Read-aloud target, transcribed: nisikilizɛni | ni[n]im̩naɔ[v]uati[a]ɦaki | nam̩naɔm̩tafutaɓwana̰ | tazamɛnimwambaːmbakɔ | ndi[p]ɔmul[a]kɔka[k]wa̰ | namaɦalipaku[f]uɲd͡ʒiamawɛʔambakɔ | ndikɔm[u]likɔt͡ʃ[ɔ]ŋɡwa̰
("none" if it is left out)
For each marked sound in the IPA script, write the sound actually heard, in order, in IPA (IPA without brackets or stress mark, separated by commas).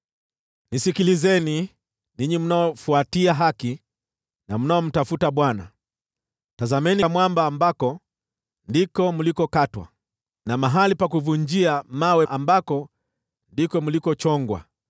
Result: ɲ, f, a, k, i, t, v, u, ɔ